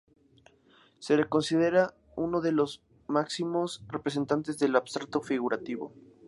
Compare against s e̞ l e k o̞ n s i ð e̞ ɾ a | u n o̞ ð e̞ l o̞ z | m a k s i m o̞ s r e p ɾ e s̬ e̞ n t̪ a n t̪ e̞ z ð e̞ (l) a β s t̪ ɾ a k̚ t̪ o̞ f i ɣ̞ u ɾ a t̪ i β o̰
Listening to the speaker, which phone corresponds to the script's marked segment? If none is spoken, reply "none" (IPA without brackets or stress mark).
l